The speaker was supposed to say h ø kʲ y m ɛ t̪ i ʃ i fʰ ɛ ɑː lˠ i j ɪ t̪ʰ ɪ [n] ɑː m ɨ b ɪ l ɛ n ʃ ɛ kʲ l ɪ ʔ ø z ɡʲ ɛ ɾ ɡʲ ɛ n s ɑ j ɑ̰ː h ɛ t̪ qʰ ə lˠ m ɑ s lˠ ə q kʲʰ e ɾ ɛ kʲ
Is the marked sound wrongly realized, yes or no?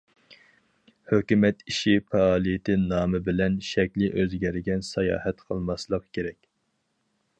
no